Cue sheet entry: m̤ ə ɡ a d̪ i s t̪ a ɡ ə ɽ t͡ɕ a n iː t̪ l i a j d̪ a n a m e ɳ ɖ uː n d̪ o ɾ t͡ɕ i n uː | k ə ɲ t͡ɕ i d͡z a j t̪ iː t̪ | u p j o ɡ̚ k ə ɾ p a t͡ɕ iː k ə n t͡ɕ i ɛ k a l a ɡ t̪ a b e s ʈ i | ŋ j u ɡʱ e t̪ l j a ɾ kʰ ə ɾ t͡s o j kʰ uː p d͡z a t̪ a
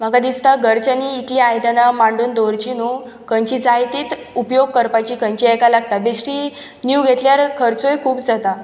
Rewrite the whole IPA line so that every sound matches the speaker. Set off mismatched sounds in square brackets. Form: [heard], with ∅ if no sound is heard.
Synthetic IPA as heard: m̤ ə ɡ a d̪ i s t̪ a ɡ ə [ɾ] t͡ɕ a n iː t̪ l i a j d̪ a n a m [a] ɳ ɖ uː n d̪ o ɾ t͡ɕ i n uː | k ə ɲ t͡ɕ i d͡z a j t̪ iː t̪ | u p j o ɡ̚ k ə ɾ p a t͡ɕ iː k ə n t͡ɕ i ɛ k a l a ɡ t̪ a b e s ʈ i | [n] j u ɡʱ e t̪ l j a ɾ kʰ ə ɾ t͡s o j kʰ uː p d͡z a t̪ a

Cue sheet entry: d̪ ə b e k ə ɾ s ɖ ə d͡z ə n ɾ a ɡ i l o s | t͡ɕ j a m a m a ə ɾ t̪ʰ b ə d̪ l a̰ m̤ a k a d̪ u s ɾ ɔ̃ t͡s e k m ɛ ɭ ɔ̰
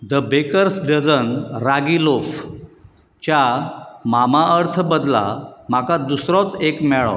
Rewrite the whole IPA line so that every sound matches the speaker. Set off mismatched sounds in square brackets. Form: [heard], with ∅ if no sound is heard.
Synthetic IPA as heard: d̪ ə b e k ə ɾ s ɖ ə d͡z ə n ɾ a ɡ i l o [f] | t͡ɕ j a m a m a ə ɾ t̪ʰ b ə d̪ l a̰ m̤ a k a d̪ u s ɾ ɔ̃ t͡s e k m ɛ ɭ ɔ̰

